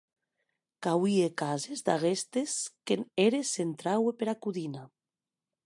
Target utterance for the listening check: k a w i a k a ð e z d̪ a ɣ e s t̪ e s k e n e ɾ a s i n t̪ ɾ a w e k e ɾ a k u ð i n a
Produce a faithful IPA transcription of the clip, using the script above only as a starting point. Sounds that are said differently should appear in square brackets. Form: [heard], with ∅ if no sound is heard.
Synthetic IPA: k a w i [e] k a [z] e z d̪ a ɣ e s t̪ e s k e n e ɾ [e] s [e] n t̪ ɾ a w e [p] e ɾ a k u ð i n a